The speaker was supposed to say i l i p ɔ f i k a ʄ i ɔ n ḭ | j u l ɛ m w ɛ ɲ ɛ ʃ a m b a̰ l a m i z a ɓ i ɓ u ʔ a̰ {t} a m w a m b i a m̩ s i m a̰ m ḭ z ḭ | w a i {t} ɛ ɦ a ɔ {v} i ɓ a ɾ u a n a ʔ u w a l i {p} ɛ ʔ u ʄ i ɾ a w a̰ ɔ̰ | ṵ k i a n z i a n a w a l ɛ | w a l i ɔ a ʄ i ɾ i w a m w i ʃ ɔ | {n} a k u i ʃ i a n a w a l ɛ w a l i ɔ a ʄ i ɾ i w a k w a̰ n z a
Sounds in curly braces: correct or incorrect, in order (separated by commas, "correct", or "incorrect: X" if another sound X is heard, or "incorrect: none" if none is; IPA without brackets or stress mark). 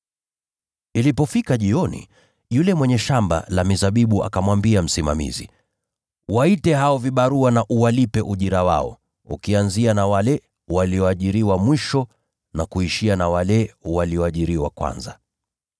incorrect: k, correct, correct, correct, correct